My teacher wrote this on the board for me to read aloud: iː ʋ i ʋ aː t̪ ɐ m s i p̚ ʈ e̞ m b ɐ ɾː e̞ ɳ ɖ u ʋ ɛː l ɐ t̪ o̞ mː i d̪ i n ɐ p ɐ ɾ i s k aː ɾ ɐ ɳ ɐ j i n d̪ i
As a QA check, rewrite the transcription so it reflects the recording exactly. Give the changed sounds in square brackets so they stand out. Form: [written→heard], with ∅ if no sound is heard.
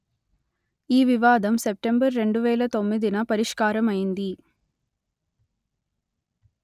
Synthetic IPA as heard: iː ʋ i ʋ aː [t̪→d̪] ɐ m s [i→e] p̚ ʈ e̞ m b ɐ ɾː e̞ ɳ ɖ u ʋ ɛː l ɐ t̪ o̞ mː i d̪ i n ɐ p ɐ ɾ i [s→ʂ] k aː ɾ ɐ [ɳ→m] ɐ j i n d̪ i